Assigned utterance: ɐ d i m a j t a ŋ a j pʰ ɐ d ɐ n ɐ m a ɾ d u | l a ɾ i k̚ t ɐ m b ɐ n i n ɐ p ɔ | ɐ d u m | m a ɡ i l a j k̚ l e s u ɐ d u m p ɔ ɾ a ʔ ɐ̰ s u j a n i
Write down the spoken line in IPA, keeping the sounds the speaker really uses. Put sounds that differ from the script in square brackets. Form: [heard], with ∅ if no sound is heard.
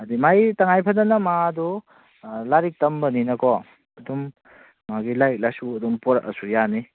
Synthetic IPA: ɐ d i m a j t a ŋ a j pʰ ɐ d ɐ n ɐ m a [∅] d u | l a ɾ i k̚ t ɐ m b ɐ n i n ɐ [k] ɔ | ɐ d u m | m a ɡ i l a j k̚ l [a] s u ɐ d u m p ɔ ɾ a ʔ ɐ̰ s u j a n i

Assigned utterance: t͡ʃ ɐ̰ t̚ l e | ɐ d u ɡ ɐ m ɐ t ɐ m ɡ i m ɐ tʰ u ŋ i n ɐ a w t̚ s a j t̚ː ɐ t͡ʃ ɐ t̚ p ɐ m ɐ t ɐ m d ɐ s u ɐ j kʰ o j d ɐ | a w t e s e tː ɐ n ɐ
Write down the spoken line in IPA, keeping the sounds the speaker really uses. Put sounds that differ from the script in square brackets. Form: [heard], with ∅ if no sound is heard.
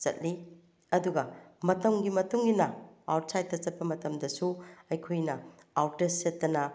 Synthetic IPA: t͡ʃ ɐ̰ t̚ l [i] | ɐ d u ɡ ɐ m ɐ t ɐ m ɡ i m ɐ [t] u ŋ i n ɐ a w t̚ s a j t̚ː ɐ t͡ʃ ɐ t̚ p ɐ m ɐ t ɐ m d ɐ s u ɐ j kʰ o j [n] ɐ | a w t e s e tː ɐ n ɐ

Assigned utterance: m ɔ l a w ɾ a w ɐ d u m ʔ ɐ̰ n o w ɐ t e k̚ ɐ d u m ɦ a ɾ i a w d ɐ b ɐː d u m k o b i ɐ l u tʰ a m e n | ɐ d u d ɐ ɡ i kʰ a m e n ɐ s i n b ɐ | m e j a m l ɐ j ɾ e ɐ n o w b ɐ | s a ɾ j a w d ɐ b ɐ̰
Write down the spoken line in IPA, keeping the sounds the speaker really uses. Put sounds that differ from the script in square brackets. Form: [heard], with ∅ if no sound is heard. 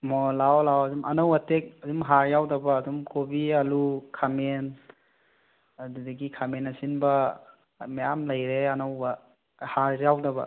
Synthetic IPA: m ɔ l a w [l] a w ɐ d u m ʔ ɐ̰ n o w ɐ t e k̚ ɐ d u m ɦ a ɾ [j] a w d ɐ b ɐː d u m k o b i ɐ l u [kʰ] a m e n | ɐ d u d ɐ ɡ i kʰ a m e n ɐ s i n b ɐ | m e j a m l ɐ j ɾ e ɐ n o w b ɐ | [h] a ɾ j a w d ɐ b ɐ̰

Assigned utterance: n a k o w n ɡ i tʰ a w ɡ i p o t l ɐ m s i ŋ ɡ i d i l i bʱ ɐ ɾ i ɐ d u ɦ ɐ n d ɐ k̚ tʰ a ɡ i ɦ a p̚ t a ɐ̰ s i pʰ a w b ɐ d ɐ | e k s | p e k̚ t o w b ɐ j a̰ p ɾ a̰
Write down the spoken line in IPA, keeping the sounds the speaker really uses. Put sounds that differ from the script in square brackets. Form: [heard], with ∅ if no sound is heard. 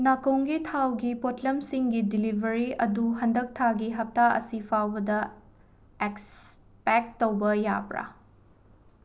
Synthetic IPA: n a k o w [ŋ] ɡ i tʰ a w ɡ i p o t l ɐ m s i ŋ ɡ i d i l i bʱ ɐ ɾ i ɐ d u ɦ ɐ n d ɐ k̚ tʰ a ɡ i ɦ [ɐ] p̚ t a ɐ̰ s i pʰ a w b ɐ d ɐ | e k s | p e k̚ t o w b ɐ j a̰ p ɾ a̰

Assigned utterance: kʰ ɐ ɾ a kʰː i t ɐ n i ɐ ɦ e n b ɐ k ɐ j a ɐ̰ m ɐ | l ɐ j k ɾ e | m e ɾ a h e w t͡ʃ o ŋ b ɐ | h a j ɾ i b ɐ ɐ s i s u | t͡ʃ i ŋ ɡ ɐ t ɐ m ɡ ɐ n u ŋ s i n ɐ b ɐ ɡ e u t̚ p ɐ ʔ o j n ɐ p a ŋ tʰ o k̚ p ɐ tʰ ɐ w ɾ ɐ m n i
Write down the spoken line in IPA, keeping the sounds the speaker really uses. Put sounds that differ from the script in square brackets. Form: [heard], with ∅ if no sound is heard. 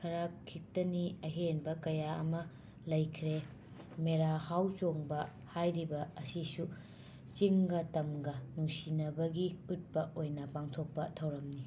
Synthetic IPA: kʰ ɐ ɾ a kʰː i t ɐ n i ɐ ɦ e n b ɐ k ɐ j a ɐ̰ m ɐ | l ɐ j [kʰ] ɾ e | m e ɾ a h [a] w t͡ʃ o ŋ b ɐ | h a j ɾ i b ɐ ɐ s i s u | t͡ʃ i ŋ ɡ ɐ t ɐ m ɡ ɐ n u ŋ s i n ɐ b ɐ ɡ [i] u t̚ p ɐ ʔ o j n ɐ p a ŋ tʰ o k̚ p ɐ tʰ ɐ w ɾ ɐ m n i

